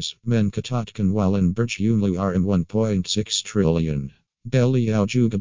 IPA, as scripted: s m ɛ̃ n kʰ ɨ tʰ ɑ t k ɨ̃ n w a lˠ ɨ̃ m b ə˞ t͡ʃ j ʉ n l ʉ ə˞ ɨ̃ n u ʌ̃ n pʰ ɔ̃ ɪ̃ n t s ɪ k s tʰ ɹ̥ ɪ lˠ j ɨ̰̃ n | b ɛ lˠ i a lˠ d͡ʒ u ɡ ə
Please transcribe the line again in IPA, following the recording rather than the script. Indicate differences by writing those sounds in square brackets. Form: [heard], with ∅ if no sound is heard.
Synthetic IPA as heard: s m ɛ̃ n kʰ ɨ tʰ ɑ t k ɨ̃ n w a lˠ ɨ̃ [n] b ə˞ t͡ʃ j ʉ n l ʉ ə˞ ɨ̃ n [w] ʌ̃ n pʰ ɔ̃ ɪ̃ n t s ɪ k s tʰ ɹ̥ ɪ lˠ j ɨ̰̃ n | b ɛ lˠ i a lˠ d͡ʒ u ɡ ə